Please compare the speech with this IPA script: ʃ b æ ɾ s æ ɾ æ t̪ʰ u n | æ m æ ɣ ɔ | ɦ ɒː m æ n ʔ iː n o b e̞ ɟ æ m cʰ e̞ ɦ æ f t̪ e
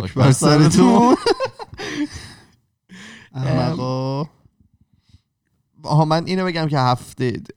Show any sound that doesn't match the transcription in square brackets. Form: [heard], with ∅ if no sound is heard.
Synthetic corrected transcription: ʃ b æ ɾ s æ ɾ [e] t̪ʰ u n | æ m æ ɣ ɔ | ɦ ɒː m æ n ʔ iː n o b e̞ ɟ æ m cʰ e̞ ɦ æ f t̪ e